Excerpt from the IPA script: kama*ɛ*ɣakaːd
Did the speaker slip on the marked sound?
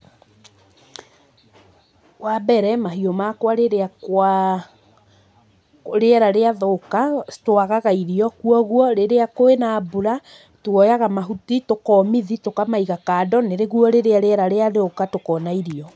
yes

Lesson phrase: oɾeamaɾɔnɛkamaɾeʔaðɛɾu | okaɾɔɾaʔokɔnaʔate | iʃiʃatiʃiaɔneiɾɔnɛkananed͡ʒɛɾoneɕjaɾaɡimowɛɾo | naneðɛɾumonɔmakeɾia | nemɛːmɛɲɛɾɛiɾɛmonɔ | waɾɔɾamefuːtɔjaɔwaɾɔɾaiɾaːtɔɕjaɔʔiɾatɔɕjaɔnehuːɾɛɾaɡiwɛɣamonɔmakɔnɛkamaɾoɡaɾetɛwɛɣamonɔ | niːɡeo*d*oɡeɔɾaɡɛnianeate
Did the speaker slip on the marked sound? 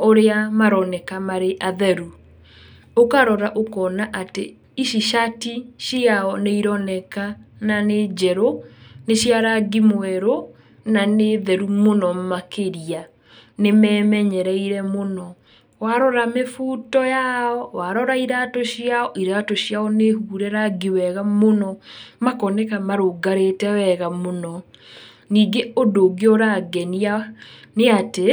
no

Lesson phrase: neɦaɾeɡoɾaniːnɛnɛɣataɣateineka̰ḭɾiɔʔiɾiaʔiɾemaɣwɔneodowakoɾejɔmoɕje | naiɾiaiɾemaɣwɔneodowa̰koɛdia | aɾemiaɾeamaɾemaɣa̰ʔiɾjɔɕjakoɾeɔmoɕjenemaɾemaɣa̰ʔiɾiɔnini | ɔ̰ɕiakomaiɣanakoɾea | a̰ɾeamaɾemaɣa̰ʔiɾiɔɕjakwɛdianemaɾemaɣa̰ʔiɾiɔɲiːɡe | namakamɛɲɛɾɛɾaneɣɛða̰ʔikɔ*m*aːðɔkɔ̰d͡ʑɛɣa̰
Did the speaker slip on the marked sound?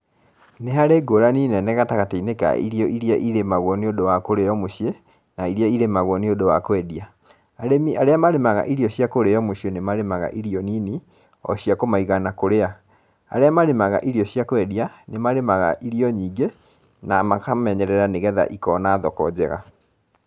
yes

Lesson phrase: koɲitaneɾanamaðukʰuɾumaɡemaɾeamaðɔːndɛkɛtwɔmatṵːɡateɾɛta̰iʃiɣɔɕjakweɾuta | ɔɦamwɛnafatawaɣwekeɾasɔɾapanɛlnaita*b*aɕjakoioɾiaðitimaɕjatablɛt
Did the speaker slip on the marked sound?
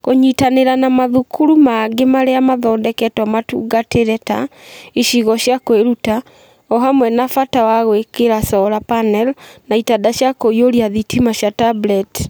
yes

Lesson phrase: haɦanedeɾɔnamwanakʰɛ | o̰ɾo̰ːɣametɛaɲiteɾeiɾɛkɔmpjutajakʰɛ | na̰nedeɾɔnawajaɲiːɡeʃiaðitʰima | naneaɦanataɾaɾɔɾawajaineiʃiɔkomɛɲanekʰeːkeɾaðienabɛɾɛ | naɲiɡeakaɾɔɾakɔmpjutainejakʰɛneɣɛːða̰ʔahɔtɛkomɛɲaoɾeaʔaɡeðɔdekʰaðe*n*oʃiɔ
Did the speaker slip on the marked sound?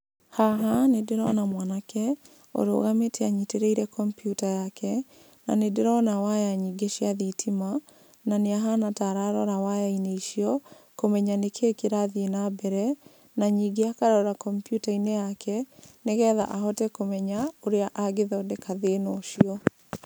no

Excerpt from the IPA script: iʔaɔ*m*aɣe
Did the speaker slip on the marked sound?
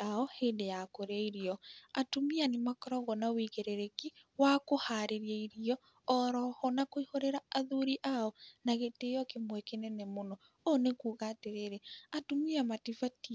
yes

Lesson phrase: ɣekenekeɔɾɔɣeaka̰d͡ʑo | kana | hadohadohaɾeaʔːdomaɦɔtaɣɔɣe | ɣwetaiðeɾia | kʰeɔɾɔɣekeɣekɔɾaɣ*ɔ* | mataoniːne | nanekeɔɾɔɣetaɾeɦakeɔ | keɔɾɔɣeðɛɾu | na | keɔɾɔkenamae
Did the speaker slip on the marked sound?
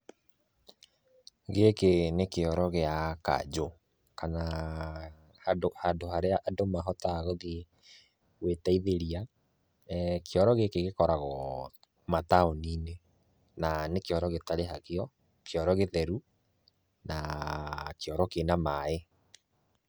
no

